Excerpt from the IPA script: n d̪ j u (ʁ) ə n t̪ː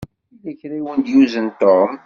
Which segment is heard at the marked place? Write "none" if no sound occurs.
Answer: z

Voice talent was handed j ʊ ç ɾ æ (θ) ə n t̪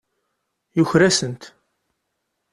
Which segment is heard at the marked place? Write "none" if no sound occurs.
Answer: s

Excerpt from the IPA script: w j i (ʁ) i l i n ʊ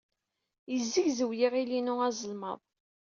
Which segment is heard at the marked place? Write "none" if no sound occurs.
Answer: ʁ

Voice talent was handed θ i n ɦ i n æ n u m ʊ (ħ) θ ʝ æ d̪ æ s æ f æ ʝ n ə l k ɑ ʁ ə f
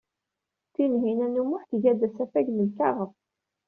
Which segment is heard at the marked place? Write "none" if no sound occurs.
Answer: ħ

